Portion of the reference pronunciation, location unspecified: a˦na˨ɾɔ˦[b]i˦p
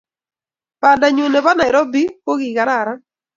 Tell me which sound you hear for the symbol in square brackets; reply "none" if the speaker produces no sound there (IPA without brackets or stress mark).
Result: b